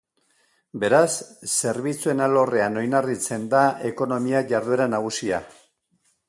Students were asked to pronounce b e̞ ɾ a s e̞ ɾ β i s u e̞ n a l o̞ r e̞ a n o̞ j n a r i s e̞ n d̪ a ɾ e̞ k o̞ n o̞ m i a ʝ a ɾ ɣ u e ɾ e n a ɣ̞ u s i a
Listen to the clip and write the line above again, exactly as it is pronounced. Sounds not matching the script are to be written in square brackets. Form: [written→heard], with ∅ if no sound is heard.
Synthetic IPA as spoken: b e̞ ɾ a [s→sː] e̞ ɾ β i [s→t͡s] u e̞ n a l o̞ r e̞ a n o̞ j n a r i [s→t͡s] e̞ n d̪ a [ɾ→∅] e̞ k o̞ n o̞ m i a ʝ a ɾ [ɣ→ð] u e ɾ [e→a] n a ɣ̞ u s i a